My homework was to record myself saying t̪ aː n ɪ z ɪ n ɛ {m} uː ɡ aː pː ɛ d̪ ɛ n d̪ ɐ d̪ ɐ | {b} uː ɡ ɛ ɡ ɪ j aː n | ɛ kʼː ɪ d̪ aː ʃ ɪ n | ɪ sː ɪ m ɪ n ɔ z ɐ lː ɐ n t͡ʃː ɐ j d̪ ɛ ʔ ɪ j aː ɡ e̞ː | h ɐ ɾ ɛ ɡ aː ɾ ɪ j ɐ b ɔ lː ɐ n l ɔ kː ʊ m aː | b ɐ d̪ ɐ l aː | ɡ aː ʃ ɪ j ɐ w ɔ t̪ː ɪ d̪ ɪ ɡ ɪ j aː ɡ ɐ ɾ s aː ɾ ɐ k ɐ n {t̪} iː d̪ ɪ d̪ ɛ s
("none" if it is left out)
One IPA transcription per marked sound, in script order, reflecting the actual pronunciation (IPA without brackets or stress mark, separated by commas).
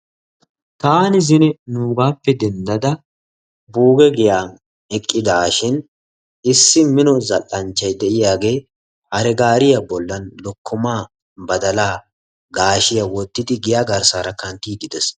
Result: n, b, t̪